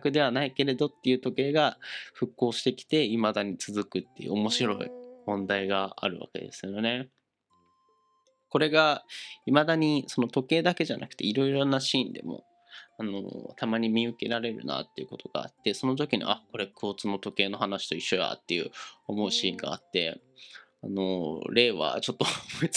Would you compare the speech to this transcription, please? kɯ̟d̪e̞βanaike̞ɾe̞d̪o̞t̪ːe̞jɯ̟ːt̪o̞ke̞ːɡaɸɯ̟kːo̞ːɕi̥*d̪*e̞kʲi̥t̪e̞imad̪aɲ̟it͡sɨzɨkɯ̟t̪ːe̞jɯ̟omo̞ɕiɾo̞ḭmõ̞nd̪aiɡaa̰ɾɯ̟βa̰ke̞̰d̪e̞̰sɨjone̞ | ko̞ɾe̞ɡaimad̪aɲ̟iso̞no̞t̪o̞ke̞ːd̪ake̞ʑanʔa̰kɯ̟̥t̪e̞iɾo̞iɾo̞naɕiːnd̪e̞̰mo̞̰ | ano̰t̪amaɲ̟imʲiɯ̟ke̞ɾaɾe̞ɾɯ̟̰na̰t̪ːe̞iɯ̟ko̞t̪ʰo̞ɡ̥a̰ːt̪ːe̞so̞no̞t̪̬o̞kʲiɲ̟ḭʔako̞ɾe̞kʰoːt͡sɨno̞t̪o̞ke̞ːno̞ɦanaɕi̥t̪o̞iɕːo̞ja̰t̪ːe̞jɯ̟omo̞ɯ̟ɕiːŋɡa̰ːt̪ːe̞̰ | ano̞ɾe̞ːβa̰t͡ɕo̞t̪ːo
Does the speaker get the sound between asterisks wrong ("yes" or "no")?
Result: yes